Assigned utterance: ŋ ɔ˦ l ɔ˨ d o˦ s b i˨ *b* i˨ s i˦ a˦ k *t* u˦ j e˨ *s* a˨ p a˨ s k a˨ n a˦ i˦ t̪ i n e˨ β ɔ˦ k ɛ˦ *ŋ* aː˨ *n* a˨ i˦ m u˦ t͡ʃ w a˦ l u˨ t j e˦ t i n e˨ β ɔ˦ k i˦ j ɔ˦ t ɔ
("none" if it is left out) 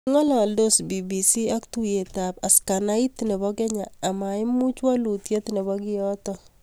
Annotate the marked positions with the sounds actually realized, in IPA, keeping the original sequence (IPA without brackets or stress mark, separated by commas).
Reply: b, t, t, ɲ, m